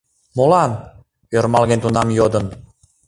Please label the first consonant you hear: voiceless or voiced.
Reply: voiced